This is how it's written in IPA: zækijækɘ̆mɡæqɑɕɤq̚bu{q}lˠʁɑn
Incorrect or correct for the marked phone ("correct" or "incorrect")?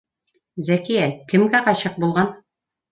incorrect